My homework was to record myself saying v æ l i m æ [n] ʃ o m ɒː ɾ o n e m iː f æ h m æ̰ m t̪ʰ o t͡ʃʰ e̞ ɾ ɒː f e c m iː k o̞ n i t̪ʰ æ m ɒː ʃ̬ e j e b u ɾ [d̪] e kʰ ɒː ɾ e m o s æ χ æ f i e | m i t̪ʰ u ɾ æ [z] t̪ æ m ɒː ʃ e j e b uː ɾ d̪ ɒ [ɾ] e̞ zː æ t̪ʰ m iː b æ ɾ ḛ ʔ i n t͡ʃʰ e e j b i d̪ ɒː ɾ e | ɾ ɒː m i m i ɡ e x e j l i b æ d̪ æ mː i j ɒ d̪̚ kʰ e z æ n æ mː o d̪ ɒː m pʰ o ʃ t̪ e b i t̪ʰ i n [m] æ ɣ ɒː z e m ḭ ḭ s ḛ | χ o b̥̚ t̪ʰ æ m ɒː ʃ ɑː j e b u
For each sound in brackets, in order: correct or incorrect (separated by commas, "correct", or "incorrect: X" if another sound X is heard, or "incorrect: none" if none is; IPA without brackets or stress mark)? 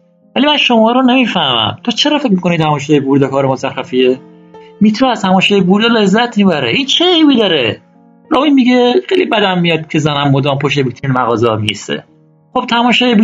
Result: correct, correct, correct, incorrect: l, correct